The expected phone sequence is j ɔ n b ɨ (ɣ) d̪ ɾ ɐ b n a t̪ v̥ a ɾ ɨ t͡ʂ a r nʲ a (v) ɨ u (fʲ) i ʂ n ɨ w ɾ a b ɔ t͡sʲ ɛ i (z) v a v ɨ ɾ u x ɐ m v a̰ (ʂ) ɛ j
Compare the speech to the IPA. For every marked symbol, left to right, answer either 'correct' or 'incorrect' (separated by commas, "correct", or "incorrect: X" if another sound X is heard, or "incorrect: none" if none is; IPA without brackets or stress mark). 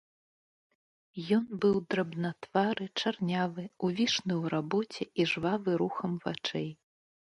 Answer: incorrect: w, correct, incorrect: vʲ, incorrect: ʐ, incorrect: t͡ʂ